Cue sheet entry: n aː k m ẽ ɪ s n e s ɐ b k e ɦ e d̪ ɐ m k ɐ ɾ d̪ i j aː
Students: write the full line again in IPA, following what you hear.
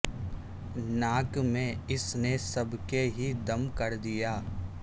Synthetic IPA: n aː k m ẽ ɪ s n e s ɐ b k e ɦ i d̪ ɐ m k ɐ ɾ d̪ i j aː